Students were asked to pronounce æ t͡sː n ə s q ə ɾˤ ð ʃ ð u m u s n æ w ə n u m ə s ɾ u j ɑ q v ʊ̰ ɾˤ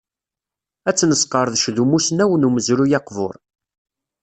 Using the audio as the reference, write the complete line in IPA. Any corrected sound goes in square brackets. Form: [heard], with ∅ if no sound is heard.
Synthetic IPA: æ t͡sː n ə s q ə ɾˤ ð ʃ ð u m u s n æ w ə n u m ə [z] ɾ u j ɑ q v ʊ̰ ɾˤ